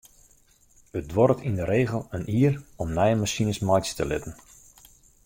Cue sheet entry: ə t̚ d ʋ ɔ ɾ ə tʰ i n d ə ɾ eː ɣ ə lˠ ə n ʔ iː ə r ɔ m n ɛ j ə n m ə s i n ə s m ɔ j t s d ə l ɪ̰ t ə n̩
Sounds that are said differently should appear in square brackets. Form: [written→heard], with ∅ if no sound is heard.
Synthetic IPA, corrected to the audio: ə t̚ d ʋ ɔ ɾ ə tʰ i n d ə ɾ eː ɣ ə lˠ ə n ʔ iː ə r ɔ m n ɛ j ə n m [ə→a] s i n ə s m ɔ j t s [d→t] ə l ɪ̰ t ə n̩